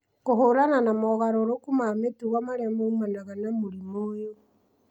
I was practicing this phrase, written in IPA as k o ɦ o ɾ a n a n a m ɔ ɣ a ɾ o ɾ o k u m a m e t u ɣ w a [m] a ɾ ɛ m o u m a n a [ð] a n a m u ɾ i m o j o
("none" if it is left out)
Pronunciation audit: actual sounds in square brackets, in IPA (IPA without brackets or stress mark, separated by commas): m, ɣ